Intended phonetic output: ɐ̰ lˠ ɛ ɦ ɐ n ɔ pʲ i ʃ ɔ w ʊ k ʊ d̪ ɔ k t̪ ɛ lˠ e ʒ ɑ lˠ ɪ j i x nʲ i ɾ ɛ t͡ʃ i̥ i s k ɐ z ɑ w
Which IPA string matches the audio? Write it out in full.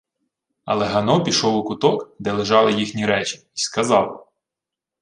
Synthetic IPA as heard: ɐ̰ lˠ ɛ ɦ ɐ n ɔ pʲ i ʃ ɔ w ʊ k ʊ t̪ ɔ k d̪ ɛ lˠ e ʒ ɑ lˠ ɪ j i x nʲ i ɾ ɛ t͡ʃ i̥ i s k ɐ z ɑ w